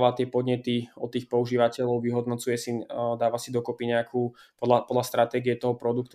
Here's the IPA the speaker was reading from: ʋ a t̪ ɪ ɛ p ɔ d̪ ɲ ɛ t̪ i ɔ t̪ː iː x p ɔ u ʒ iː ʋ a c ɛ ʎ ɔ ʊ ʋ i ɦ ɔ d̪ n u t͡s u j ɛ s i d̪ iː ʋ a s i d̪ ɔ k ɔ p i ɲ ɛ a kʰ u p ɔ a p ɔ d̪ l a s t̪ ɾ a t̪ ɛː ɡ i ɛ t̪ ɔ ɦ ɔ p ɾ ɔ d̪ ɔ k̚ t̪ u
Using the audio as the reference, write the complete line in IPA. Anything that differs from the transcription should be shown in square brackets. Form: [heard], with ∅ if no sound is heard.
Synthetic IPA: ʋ a t̪ ɪ ɛ p ɔ d̪ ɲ ɛ t̪ i ɔ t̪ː iː x p ɔ u ʒ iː ʋ a c ɛ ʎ ɔ ʊ ʋ i ɦ ɔ d̪ n [ɔ] t͡s u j ɛ s i d̪ [aː] ʋ a s i d̪ ɔ k ɔ p i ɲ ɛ a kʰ u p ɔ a p ɔ d̪ l a s t̪ ɾ a t̪ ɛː ɡ i ɛ t̪ ɔ ɦ ɔ p ɾ ɔ d̪ [u] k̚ t̪ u